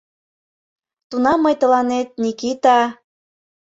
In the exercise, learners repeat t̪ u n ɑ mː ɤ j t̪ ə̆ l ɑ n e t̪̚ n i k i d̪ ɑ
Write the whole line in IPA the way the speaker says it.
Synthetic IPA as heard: t̪ u n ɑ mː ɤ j t̪ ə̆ l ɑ n e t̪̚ n i k i t̪ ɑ